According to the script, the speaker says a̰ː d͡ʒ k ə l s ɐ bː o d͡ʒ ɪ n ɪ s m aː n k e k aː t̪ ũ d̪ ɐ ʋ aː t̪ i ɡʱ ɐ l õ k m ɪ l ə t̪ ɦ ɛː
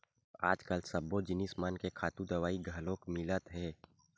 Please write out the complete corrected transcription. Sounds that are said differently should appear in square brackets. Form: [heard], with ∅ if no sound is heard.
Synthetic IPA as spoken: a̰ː d͡ʒ k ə l s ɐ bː o d͡ʒ ɪ n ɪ s m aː n k e [kʰ] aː t̪ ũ d̪ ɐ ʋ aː [∅] i ɡʱ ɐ l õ k m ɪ l ə t̪ ɦ ɛː